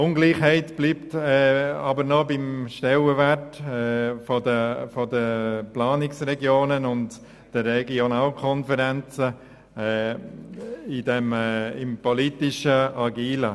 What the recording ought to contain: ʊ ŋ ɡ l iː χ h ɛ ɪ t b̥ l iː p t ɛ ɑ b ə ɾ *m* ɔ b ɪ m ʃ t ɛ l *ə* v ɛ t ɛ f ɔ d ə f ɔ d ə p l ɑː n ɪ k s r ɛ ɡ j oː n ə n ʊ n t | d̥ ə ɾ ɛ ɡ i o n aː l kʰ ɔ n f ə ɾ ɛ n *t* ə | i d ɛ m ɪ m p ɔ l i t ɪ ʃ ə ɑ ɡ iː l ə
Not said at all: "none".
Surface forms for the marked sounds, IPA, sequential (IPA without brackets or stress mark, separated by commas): n, ə, t͡s